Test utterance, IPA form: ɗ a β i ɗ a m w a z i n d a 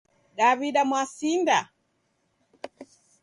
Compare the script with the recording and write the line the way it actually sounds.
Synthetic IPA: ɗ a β i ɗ a m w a s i n d a